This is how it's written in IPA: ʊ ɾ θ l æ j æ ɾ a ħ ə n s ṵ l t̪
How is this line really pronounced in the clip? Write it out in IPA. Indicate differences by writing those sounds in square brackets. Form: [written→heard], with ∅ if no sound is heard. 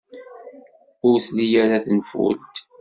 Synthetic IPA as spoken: ʊ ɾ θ l [æ→i] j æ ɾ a [ħ→θ] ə n [s→f] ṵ l t̪